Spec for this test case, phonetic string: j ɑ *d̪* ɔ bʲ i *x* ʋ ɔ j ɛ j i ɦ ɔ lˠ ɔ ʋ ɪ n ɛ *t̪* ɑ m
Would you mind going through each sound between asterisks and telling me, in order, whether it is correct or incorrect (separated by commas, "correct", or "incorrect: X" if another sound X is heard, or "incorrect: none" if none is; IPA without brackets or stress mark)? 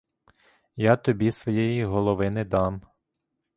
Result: incorrect: t̪, incorrect: s, incorrect: d̪